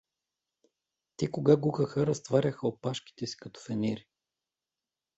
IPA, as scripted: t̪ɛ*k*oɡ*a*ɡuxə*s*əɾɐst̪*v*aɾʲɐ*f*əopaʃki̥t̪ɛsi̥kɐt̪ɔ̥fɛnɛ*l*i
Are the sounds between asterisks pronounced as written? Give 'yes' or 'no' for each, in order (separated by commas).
yes, yes, no, yes, no, no